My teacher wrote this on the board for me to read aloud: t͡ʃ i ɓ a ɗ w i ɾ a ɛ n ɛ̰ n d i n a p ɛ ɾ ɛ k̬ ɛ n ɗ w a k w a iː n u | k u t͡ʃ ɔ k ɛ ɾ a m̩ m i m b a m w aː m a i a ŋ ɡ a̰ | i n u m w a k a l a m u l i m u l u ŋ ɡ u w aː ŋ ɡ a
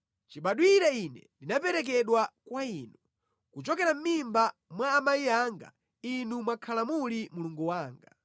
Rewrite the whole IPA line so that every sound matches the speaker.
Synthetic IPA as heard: t͡ʃ i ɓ a ɗ w i ɾ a i n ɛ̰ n d i n a p ɛ ɾ ɛ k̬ ɛ ɗ w a k w a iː n u | k u t͡ʃ ɔ k ɛ ɾ a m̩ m i m b a m w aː m a i a ŋ ɡ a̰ | i n u m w a kʰ a l a m u l i m u l u ŋ ɡ u w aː ŋ ɡ a